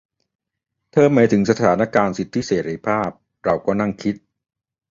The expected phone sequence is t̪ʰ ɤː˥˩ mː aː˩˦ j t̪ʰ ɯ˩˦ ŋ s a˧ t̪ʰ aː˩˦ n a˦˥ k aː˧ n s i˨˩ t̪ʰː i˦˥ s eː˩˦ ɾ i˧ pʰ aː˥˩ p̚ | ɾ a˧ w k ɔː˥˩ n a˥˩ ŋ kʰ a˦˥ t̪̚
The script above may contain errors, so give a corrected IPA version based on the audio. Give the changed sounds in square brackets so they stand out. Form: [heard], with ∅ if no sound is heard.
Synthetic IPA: t̪ʰ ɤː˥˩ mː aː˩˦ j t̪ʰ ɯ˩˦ ŋ s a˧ t̪ʰ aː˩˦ n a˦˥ k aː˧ n s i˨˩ t̪ʰː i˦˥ s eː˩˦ ɾ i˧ pʰ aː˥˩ p̚ | ɾ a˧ w k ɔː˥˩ n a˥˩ ŋ kʰ [i˦˥] t̪̚